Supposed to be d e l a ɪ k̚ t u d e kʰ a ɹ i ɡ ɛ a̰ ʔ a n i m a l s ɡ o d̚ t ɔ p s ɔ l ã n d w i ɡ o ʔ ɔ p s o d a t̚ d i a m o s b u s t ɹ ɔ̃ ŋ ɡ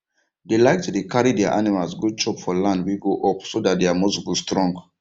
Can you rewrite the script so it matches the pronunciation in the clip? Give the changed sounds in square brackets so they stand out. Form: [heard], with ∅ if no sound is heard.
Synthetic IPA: d e l a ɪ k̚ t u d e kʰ a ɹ i [d] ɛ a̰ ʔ a n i m a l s ɡ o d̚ [t͡ʃ] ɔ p [f] ɔ l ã n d w i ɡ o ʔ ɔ p s o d a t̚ d [e] a m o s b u s t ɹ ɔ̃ ŋ ɡ